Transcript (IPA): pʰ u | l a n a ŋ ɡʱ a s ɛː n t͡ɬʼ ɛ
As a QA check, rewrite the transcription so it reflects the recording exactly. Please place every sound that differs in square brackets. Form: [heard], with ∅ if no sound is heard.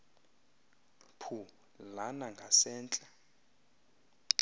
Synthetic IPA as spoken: pʰ u | l a n a ŋ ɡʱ a s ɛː n t͡ɬʼ [a]